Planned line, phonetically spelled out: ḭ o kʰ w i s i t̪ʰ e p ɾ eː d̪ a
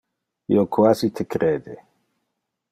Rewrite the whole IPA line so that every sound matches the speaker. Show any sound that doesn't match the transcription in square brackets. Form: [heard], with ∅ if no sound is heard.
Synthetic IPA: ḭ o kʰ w [a] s i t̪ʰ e [k] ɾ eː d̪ [e]